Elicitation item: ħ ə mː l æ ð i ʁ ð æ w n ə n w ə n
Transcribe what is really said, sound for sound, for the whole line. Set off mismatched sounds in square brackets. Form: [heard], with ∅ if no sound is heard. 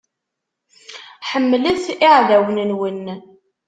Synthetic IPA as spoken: ħ ə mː l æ [θ] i [ʕ] ð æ w n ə n w ə n